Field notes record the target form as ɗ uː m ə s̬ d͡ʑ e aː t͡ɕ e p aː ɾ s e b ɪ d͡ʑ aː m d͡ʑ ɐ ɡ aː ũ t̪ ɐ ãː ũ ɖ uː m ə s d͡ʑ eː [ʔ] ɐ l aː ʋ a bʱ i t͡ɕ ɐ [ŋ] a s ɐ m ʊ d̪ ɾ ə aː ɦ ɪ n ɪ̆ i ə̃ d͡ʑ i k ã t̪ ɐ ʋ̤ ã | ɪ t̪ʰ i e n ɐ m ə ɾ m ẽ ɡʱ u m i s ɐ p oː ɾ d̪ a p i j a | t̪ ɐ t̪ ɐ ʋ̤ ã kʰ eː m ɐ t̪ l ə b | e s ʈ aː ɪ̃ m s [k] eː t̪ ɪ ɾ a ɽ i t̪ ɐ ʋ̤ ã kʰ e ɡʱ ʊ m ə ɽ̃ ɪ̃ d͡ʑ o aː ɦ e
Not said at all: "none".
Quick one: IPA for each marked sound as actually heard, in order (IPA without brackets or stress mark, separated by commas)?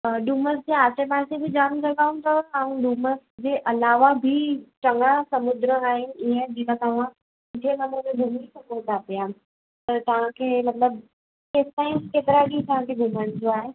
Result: ʔ, ŋ, k